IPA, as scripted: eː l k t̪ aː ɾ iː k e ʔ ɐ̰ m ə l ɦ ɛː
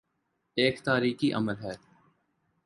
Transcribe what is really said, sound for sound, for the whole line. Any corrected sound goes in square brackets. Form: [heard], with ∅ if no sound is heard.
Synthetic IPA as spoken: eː [∅] k t̪ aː ɾ iː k [i] ʔ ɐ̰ m ə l ɦ ɛː